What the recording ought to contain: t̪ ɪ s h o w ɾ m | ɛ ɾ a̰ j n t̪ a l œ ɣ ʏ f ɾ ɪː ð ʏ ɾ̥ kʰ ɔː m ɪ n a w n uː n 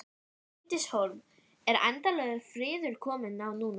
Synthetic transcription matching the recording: t̪ ɪ s h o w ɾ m | ɛ ɾ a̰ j n t̪ a l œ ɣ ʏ f ɾ ɪː ð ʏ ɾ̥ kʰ ɔː m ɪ n a w n uː n